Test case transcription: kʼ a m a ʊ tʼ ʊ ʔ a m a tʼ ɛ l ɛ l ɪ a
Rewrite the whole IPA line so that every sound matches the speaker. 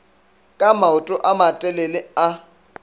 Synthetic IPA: kʼ a m a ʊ tʼ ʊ ʔ a m a tʼ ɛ l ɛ l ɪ a